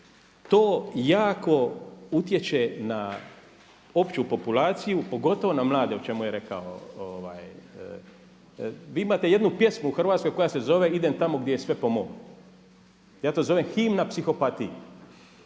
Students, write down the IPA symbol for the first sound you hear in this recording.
t̪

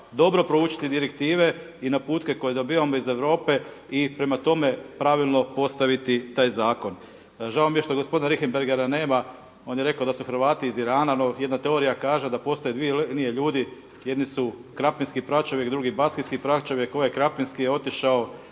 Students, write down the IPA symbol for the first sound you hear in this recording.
d̪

